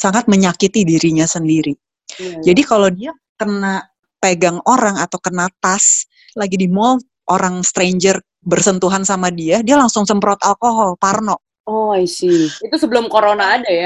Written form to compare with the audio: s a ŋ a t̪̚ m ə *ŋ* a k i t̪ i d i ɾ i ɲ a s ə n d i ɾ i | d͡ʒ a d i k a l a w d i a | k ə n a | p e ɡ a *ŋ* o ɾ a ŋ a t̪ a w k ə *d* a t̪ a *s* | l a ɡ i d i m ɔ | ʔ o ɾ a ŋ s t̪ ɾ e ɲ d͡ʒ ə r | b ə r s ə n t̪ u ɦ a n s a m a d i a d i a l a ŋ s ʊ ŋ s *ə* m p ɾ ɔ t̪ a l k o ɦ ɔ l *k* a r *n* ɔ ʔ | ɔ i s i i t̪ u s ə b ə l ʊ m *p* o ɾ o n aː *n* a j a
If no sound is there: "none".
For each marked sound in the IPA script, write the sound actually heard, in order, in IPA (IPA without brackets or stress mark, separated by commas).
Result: ɲ, ŋ, n, s, ə, p, n, k, d